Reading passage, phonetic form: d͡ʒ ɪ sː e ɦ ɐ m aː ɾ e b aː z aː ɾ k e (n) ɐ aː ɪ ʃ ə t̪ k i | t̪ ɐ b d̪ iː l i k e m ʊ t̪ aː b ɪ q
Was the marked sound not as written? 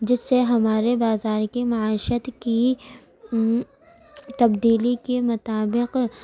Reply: yes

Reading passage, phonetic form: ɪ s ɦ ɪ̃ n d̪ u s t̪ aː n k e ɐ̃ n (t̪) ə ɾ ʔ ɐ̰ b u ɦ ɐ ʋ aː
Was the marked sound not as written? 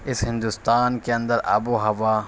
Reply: yes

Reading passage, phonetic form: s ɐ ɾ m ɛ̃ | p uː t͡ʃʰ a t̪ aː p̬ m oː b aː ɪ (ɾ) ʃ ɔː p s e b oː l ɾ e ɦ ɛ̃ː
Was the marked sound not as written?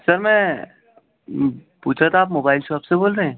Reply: yes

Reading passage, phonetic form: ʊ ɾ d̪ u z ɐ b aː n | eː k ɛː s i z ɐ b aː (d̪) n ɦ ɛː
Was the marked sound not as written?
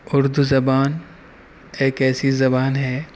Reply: yes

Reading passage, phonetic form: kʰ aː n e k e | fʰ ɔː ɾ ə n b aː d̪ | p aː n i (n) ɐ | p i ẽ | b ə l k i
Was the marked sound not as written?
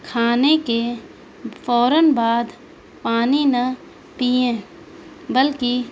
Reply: no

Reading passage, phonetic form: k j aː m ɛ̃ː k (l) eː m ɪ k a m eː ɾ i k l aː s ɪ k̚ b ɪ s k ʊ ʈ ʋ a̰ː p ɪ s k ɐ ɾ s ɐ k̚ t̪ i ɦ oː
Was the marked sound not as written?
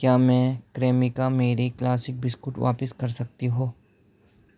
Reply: yes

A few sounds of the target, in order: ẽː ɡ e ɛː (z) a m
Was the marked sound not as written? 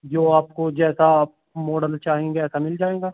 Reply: yes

